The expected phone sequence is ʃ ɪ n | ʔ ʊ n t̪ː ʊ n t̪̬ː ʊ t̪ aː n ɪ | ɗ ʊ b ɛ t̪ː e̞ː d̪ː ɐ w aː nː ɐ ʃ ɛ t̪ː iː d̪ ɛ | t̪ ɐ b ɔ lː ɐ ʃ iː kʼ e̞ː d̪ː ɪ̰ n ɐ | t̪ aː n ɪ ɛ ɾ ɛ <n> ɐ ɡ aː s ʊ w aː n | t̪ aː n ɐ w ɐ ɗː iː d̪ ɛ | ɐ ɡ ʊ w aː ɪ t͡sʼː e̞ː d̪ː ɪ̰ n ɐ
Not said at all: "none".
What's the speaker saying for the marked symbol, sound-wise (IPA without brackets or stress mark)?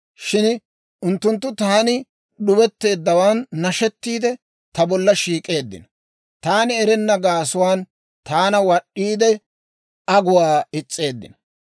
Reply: nː